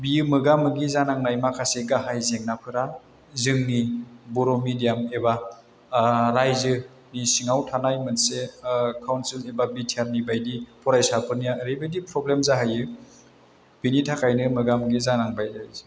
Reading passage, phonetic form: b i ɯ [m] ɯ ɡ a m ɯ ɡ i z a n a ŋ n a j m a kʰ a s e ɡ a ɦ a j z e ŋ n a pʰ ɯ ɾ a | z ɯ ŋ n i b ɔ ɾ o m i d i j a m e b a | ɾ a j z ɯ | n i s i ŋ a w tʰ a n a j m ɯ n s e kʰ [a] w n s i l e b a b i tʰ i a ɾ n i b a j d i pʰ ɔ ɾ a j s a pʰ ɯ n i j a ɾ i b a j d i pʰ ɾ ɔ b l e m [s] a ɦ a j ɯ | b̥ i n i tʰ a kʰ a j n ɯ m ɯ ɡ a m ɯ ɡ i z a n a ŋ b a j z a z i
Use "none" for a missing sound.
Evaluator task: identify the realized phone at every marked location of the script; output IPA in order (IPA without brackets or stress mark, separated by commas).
m, a, z